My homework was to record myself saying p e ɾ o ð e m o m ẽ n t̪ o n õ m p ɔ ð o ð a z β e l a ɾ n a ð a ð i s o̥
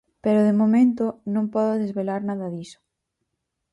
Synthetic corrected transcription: p e ɾ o ð e m o m ẽ n t̪ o n õ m p ɔ ð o ð e z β e l a ɾ n a ð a ð i s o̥